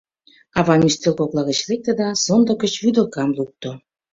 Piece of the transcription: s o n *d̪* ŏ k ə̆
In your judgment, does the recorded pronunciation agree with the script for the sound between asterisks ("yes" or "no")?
yes